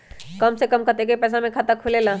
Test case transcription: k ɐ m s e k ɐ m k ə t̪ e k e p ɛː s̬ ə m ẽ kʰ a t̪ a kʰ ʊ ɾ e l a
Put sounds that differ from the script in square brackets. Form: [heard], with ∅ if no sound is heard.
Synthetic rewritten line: k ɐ m s e k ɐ m k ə t̪ e k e p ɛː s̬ [a] m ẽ kʰ a t̪ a kʰ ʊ [l] e l a